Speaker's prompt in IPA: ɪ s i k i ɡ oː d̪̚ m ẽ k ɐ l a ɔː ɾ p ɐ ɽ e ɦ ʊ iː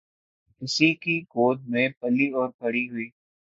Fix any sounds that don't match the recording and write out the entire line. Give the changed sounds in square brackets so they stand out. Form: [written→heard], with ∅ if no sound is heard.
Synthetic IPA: ɪ s i k i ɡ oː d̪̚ m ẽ [k→p] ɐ l [a→i] ɔː ɾ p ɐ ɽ [e→i] ɦ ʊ iː